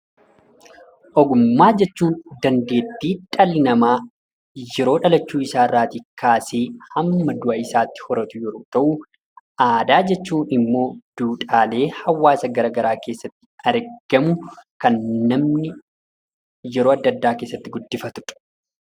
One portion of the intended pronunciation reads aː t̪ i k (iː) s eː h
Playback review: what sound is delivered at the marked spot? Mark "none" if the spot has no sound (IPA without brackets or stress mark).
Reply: aː